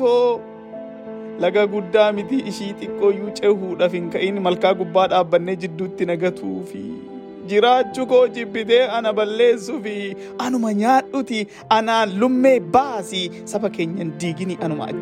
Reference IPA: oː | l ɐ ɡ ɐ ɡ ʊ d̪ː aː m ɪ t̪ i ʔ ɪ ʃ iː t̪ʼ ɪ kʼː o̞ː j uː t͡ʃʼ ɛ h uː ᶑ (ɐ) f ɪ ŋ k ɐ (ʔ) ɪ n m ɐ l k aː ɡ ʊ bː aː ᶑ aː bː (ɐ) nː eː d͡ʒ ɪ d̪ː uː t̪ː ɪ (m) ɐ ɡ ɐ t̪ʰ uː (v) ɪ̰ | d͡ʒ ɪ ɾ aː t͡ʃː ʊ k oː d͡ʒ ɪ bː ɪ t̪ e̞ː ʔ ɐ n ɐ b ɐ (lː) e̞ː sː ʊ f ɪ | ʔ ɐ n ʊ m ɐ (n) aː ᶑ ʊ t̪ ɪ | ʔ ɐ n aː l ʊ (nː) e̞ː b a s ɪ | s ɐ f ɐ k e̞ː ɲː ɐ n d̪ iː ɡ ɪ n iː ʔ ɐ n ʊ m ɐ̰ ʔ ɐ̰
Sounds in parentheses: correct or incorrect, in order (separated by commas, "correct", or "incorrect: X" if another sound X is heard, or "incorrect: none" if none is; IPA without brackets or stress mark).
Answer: correct, correct, correct, incorrect: n, incorrect: f, correct, incorrect: ɲ, incorrect: mː